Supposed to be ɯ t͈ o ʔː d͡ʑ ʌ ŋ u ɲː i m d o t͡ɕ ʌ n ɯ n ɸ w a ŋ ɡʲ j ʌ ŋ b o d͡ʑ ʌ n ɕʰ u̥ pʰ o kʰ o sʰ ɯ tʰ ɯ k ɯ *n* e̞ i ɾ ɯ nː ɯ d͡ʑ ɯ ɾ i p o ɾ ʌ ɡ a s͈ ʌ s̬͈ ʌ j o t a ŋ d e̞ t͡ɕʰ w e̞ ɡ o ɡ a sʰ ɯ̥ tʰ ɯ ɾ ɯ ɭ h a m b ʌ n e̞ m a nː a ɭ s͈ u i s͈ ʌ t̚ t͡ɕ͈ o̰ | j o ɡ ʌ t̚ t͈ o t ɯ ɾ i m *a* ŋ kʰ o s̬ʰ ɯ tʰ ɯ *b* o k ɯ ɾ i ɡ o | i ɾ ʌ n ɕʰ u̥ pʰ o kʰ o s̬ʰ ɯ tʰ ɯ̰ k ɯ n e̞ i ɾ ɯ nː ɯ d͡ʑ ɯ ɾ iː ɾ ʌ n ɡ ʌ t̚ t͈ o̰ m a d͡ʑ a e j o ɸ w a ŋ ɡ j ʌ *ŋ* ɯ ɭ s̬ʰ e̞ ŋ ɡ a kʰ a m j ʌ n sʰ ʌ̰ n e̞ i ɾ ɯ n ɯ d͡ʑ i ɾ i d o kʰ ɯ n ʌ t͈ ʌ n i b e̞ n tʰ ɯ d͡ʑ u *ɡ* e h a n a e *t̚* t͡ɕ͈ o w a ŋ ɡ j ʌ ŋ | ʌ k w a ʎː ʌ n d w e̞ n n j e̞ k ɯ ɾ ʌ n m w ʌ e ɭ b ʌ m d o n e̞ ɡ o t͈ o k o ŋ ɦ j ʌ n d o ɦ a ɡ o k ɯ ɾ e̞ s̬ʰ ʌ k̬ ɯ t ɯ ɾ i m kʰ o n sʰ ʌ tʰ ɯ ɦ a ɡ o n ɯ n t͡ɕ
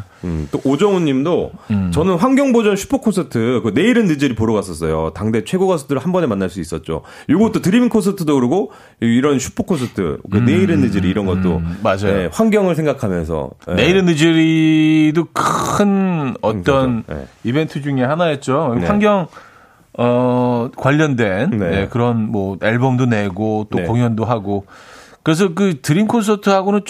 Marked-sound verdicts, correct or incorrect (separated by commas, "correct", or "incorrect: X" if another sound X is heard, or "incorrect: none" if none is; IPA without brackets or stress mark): correct, incorrect: i, incorrect: d, correct, incorrect: ŋ, correct